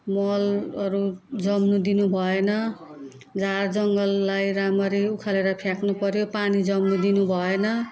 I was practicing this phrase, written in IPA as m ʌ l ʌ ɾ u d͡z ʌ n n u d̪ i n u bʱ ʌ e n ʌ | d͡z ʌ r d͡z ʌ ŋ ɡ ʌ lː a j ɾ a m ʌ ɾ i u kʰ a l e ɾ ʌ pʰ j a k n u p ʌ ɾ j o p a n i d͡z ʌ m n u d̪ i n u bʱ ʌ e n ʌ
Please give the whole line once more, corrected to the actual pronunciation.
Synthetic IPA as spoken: m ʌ l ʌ ɾ u d͡z ʌ m n u d̪ i n u bʱ ʌ e n ʌ | d͡z a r d͡z ʌ ŋ ɡ ʌ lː a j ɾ a m ʌ ɾ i u kʰ a l e ɾ ʌ pʰ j a k n u p ʌ ɾ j o p a n i d͡z ʌ m n u d̪ i n u bʱ ʌ e n ʌ

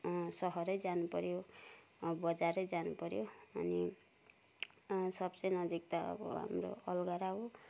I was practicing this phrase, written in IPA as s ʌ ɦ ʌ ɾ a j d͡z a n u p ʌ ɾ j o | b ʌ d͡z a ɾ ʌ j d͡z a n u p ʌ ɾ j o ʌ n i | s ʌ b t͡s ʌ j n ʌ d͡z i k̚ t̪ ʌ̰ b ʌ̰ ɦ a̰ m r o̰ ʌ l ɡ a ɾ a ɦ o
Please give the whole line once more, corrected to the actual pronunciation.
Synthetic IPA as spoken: s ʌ ɦ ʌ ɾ ʌ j d͡z a n u p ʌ ɾ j o | b ʌ d͡z a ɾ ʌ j d͡z a n u p ʌ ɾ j o ʌ n i | s ʌ b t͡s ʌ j n ʌ d͡z i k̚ t̪ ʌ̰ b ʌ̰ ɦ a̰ m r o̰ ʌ l ɡ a ɾ a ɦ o

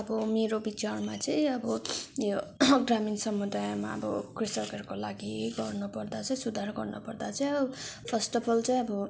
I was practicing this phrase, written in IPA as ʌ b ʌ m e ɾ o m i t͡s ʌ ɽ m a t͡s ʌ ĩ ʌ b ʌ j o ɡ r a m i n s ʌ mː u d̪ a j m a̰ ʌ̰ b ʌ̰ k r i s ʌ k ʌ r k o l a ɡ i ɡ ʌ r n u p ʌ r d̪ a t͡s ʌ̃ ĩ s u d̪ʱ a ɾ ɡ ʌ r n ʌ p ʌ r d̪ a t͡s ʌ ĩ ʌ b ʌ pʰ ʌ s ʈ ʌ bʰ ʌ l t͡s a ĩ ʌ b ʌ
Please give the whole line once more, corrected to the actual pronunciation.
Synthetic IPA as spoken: ʌ b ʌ m e ɾ o b i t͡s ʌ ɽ m a t͡s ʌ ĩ ʌ b ʌ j o ɡ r a m i n s ʌ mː u d̪ a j m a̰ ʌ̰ b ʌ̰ k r i s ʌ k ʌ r k o l a ɡ i ɡ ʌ r n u p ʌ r d̪ a t͡s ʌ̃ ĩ s u d̪ʱ a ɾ ɡ ʌ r n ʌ p ʌ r d̪ a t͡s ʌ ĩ ʌ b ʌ pʰ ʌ s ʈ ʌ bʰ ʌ l t͡s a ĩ ʌ b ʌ

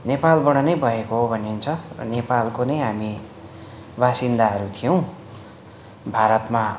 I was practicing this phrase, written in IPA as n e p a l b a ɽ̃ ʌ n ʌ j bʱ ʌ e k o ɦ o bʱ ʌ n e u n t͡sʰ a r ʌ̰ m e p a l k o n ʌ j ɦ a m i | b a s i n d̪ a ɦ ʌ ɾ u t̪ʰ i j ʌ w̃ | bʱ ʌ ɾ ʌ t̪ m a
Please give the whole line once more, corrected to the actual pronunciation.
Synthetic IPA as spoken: n e p a l b ʌ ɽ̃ ʌ n ʌ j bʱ ʌ e k o ɦ o bʱ ʌ n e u n t͡sʰ ʌ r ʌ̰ n e p a l k o n ʌ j ɦ a m i | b a s i n d̪ a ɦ ʌ ɾ u t̪ʰ i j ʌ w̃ | bʱ a ɾ ʌ t̪ m a

